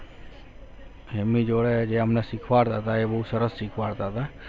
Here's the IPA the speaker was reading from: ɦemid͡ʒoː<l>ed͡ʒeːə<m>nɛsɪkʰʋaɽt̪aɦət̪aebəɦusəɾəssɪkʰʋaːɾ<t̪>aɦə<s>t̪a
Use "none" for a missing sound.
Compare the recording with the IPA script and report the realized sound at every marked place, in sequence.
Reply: ɽ, m, t̪, none

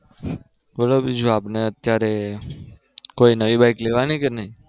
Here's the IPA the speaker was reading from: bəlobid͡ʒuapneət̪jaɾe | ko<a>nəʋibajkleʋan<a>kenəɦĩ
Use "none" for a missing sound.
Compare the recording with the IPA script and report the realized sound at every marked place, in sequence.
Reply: i, i

